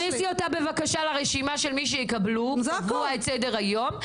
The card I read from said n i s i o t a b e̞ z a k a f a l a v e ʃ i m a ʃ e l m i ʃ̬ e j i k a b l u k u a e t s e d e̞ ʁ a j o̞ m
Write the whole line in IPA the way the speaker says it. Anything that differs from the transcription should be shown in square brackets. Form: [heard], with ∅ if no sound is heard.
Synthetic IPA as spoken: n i s i o t a b e̞ [v] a k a [ʃ] a l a [ʁ] e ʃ i m a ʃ e l m i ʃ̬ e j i k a b l u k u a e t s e d e̞ ʁ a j o̞ m

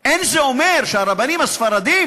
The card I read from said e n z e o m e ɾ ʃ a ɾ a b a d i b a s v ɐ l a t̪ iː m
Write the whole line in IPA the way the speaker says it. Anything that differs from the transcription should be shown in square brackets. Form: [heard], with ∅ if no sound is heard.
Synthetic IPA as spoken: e n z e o m e ɾ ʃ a ɾ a b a [n] i [m] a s [f] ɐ [ɾ] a [d̪] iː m

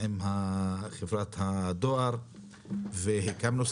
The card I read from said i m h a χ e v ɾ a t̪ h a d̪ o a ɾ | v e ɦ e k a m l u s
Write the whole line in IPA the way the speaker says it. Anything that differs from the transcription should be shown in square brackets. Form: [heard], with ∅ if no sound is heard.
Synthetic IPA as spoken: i m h a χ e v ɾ a t̪ h a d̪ o a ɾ | v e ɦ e k a m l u s

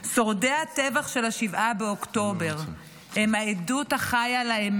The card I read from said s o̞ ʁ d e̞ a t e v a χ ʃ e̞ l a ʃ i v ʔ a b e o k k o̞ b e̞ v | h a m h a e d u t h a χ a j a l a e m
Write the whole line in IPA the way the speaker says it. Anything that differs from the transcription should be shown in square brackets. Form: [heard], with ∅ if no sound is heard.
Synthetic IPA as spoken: s o̞ ʁ d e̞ a t e v a χ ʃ e̞ l a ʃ i v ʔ a b e o k [t] o̞ b e̞ [ʁ] | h [e] m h a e d u t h a χ a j a l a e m

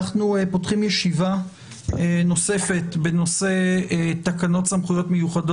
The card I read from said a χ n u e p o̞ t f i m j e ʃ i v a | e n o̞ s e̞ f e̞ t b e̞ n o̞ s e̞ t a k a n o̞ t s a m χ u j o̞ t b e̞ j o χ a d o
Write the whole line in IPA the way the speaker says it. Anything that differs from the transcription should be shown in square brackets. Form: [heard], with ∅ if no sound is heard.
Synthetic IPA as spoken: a χ n u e p o̞ t [χ] i m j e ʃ i v a | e n o̞ s e̞ f e̞ t b e̞ n o̞ s e̞ t a k a n o̞ t s a m χ u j o̞ t [m] e̞ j [u] χ a d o

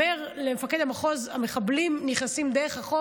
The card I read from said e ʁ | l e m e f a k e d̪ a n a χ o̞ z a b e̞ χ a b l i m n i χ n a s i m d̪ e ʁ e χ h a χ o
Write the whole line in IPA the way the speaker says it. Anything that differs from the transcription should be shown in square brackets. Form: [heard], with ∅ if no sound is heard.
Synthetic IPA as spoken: e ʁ | l e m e f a k e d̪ a [m] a χ o̞ z a [m] e̞ χ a b l i m n i χ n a s i m d̪ e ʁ e χ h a χ o

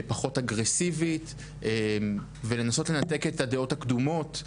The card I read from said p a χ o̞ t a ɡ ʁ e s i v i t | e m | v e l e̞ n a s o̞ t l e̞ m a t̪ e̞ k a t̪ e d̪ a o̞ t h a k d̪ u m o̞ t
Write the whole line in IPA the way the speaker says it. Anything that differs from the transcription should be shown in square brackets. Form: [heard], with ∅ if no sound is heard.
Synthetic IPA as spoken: p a χ o̞ t a ɡ ʁ e s i v i t | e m | v e l e̞ n a s o̞ t l e̞ [n] a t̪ e̞ k [e] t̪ [a] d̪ [e] o̞ t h a k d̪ u m o̞ t

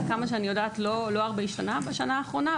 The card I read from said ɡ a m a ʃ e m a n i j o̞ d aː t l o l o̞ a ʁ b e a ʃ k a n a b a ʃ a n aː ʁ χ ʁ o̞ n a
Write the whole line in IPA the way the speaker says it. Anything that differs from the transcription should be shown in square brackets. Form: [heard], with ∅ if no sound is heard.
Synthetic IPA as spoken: [k] a m a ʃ e [∅] a n i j o̞ d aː t l o l o̞ a ʁ b e [i] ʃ [t] a n a b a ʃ a n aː [∅] χ ʁ o̞ n a

